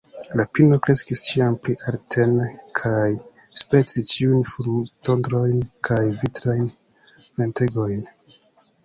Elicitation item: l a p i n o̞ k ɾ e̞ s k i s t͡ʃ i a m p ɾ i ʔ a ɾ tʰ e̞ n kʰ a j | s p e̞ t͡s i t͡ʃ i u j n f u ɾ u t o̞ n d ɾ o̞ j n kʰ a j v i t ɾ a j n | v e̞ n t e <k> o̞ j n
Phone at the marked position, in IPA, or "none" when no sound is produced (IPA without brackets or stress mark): ɡ